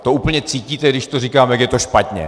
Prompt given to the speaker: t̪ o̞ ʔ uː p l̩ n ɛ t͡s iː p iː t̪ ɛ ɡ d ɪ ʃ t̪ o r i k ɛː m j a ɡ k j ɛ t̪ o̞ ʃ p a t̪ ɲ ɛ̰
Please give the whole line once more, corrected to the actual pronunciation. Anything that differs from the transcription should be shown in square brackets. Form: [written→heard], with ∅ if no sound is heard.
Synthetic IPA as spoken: t̪ o̞ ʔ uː p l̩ [n→ɲ] ɛ t͡s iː [p→c] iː t̪ ɛ ɡ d ɪ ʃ t̪ o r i k [ɛː→aː] m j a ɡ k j ɛ t̪ o̞ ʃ p a t̪ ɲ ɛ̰